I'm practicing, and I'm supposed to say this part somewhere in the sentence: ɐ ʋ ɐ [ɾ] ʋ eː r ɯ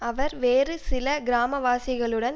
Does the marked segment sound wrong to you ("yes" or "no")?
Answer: no